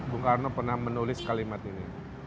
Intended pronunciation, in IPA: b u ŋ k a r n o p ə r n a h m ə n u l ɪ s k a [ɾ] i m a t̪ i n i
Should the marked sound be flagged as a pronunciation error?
yes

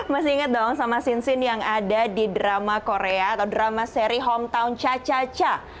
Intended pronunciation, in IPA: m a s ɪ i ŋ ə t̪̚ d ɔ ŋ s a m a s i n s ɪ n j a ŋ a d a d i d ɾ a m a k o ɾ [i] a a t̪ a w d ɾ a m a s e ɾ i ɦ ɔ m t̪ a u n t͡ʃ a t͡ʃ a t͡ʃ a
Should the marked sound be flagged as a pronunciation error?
yes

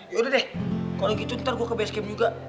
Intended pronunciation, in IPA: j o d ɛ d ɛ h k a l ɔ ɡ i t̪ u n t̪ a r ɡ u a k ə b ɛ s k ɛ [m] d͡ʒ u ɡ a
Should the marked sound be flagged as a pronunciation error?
no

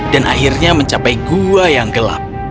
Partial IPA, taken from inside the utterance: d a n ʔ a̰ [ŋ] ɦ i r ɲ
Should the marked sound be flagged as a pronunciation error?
yes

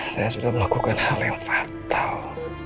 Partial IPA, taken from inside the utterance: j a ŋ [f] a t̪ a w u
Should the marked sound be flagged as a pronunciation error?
no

